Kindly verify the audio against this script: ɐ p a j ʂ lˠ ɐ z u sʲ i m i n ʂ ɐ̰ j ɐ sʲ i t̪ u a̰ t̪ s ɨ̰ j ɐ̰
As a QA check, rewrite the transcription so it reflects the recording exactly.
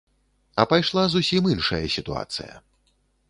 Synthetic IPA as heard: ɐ p a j ʂ lˠ a z u sʲ i m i n ʂ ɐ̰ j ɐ sʲ i t̪ u a̰ t̪ s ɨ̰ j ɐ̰

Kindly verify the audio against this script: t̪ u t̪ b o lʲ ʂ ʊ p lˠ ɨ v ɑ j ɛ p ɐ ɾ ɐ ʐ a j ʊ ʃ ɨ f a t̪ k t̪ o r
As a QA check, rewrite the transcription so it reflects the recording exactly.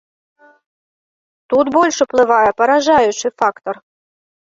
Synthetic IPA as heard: t̪ u t̪ b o lʲ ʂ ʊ p lˠ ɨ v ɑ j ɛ p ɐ ɾ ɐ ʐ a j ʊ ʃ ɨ f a k t̪ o r

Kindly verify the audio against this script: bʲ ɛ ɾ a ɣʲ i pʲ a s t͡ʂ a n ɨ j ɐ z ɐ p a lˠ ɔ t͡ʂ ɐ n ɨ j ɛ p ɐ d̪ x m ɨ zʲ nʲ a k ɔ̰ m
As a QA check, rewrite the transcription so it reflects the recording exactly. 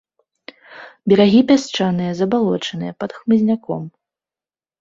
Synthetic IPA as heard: bʲ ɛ ɾ a ɣʲ i pʲ a s t͡ʂ a n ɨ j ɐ z ɐ b a lˠ ɔ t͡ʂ ɐ n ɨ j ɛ p ɐ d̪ x m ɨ zʲ nʲ a k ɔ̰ m

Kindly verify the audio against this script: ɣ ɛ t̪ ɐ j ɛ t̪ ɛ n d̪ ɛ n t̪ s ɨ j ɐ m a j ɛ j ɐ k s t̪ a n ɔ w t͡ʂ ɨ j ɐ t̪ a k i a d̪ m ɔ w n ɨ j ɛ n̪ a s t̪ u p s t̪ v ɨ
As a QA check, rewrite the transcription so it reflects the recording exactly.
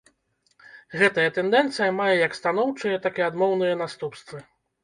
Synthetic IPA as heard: ɣ ɛ t̪ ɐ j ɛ t̪ ɛ n d̪ ɛ n t̪ s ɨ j ɐ m a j ɛ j ɐ k s t̪ a n ɔ w t͡ʂ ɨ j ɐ t̪ a k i a d̪ m ɔ w n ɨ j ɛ n̪ a s t̪ u p s t̪ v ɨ

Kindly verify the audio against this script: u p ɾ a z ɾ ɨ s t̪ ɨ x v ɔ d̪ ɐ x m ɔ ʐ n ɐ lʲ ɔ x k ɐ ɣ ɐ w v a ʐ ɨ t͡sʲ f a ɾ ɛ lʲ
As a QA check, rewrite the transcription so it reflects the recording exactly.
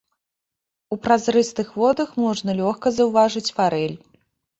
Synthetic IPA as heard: u p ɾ a z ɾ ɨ s t̪ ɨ x v ɔ d̪ ɐ x m ɔ ʐ n ɐ lʲ ɔ x k ɐ z ɐ w v a ʐ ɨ t͡sʲ f a ɾ ɛ lʲ

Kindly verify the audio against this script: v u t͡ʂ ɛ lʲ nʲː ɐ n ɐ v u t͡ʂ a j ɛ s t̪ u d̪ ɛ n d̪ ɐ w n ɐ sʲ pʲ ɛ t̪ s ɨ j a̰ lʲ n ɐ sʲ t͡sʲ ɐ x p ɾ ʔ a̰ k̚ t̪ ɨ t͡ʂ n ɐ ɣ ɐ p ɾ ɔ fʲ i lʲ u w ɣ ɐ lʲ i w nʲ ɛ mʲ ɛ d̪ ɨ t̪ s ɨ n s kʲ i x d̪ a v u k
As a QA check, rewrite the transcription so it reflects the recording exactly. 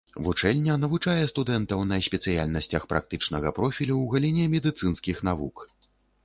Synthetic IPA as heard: v u t͡ʂ ɛ lʲ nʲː ɐ n ɐ v u t͡ʂ a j ɛ s t̪ u d̪ ɛ n t̪ ɐ w n ɐ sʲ pʲ ɛ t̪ s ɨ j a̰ lʲ n ɐ sʲ t͡sʲ ɐ x p ɾ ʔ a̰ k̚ t̪ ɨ t͡ʂ n ɐ ɣ ɐ p ɾ ɔ fʲ i lʲ u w ɣ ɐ lʲ i nʲ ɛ mʲ ɛ d̪ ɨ t̪ s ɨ n s kʲ i x n̪ a v u k

